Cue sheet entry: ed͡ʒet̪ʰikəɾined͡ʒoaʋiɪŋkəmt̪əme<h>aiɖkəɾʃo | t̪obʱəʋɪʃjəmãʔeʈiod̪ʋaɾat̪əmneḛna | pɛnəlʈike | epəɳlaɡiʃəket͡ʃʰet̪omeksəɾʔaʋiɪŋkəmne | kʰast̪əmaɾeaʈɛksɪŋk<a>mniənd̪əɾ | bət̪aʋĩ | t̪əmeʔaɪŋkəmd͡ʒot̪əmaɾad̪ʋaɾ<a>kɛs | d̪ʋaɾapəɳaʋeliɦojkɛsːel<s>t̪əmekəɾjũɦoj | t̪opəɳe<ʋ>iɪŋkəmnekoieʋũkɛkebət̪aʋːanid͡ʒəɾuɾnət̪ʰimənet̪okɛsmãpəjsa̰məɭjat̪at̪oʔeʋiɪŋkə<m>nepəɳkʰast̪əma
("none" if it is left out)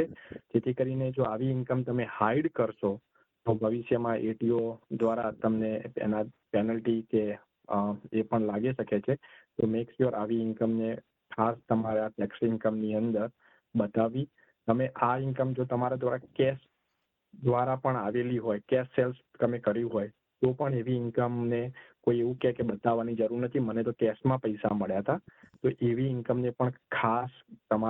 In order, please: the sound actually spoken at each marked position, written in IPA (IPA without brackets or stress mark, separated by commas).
h, ə, a, s, ʋ, m